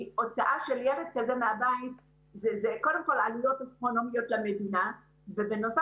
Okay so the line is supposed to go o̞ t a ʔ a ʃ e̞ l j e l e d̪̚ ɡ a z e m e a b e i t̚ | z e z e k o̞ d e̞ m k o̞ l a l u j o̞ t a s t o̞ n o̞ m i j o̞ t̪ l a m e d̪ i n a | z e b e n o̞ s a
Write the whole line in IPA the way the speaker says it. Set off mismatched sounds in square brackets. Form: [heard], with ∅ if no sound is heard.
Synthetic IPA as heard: o̞ [t͡s] a ʔ a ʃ e̞ l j e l e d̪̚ [k] a z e m e a b [a] i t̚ | z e z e k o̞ d e̞ m k o̞ l a l u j o̞ t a s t o̞ n o̞ m i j o̞ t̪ l a m e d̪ i n a | [v] e b e n o̞ s a